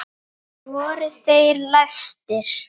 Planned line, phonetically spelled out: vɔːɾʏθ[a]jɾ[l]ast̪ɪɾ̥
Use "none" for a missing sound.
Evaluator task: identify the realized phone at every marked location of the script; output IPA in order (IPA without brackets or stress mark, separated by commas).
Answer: e, l